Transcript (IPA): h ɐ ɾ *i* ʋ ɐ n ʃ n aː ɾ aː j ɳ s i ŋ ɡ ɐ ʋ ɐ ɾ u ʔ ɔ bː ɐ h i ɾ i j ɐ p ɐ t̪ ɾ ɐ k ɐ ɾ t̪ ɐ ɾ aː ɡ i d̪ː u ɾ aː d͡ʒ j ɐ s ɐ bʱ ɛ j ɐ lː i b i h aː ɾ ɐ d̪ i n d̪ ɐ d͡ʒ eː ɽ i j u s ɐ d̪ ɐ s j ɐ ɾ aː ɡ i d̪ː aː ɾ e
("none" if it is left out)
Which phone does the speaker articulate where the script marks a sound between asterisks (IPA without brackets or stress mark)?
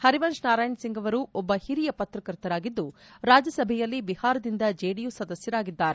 i